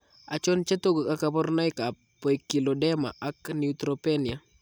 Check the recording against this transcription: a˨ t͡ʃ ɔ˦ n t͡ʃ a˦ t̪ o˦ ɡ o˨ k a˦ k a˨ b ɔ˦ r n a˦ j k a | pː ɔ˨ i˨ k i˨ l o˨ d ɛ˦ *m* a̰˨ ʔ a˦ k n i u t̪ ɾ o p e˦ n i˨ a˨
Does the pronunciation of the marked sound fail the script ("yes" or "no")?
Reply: no